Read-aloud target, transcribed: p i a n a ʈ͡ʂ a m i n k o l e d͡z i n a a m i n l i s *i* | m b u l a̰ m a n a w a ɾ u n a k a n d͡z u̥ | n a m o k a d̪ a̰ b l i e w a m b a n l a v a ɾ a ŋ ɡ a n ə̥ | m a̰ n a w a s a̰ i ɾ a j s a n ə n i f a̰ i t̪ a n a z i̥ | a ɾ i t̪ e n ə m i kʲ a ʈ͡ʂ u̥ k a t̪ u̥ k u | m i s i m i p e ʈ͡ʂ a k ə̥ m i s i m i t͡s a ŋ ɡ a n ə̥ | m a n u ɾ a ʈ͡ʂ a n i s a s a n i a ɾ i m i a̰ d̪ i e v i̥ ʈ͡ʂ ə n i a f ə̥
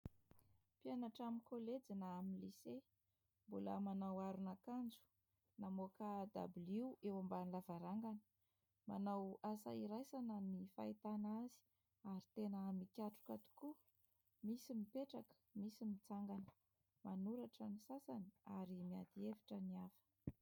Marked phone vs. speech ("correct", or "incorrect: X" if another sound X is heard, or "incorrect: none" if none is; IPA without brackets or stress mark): incorrect: e